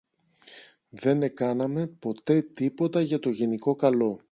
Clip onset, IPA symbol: ð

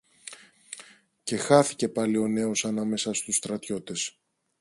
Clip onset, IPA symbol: c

